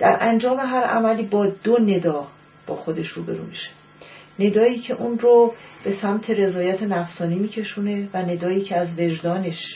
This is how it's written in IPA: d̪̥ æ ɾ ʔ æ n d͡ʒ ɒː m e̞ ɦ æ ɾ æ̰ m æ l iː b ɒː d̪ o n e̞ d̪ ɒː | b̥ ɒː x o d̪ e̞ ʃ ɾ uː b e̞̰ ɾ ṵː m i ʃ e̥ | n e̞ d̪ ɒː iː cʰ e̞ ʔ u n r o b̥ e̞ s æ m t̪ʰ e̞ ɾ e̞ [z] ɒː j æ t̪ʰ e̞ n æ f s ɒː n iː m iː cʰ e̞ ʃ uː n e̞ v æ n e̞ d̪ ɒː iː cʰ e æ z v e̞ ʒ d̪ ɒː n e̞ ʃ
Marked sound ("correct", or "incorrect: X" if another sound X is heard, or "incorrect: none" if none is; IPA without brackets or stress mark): correct